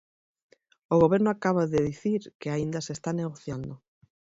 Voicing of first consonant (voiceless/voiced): voiced